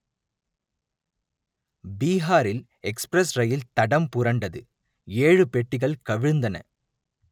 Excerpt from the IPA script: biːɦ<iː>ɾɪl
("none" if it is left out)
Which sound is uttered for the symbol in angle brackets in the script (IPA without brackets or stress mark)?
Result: aː